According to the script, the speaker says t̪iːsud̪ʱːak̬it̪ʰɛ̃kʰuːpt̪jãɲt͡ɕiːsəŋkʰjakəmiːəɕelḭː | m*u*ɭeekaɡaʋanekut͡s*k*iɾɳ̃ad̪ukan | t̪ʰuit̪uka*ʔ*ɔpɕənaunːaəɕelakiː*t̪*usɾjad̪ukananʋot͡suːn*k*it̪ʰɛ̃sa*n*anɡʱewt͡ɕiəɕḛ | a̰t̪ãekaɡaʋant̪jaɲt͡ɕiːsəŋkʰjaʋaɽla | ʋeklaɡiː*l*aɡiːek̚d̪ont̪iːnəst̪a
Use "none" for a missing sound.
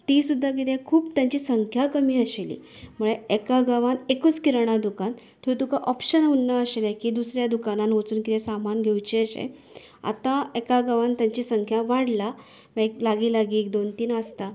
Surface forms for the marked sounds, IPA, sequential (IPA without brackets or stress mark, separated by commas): u, k, ʔ, d̪, k, m, l